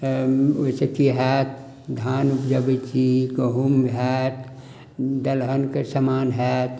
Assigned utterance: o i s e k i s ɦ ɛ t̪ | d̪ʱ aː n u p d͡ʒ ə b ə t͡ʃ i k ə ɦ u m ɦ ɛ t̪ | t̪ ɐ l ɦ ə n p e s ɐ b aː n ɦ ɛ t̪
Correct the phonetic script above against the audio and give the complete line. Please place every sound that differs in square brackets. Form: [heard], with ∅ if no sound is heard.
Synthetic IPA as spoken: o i s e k i [∅] ɦ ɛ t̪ | d̪ʱ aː n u p d͡ʒ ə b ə t͡ʃ i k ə ɦ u m ɦ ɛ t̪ | [d̪] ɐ l ɦ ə n [k] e s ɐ [m] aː n ɦ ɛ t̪